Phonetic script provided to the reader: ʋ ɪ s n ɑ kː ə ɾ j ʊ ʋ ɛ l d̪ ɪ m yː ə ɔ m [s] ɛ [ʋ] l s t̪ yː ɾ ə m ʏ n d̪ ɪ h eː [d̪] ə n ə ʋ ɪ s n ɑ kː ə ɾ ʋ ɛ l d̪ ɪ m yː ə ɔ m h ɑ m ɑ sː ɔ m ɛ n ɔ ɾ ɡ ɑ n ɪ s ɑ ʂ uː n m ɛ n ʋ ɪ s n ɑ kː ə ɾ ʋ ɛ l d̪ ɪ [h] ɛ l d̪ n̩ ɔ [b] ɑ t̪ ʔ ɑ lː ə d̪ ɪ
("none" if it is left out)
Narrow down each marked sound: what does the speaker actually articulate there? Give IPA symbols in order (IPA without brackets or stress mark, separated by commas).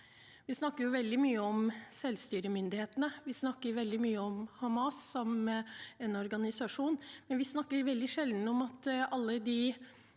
s, none, t̪, ʂ, m